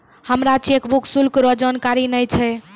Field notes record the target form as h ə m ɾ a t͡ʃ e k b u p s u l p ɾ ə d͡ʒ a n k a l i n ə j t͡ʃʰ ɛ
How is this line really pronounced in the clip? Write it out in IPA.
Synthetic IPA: h ə m ɾ a t͡ʃ e k b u k s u l k ɾ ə d͡ʒ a n k a ɾ i n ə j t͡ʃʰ ɛ